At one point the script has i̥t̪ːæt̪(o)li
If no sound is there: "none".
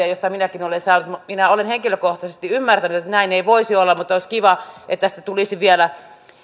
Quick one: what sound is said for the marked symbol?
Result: u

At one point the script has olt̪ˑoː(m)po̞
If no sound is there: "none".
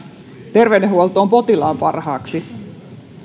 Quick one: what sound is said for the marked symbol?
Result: m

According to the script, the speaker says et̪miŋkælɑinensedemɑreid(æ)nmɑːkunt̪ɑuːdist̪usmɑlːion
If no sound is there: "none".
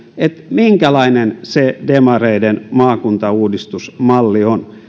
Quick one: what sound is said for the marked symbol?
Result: e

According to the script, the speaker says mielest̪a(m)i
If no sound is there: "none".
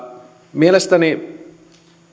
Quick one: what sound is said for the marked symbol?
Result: n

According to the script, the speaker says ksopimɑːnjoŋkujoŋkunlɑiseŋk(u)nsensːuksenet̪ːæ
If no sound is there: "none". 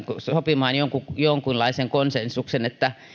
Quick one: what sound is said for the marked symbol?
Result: o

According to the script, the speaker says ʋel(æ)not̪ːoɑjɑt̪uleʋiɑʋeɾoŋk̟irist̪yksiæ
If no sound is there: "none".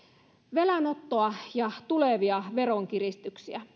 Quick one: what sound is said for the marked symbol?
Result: æ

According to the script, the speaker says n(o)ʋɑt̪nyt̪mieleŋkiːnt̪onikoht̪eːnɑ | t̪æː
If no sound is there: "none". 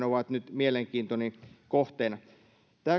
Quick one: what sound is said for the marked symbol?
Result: o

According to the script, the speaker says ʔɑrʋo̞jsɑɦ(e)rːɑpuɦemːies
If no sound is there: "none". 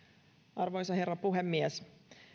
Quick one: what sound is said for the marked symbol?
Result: e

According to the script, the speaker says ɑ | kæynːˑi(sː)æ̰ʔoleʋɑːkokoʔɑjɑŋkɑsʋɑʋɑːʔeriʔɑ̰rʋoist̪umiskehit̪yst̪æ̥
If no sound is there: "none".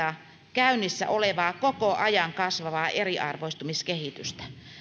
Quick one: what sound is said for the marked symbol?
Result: sː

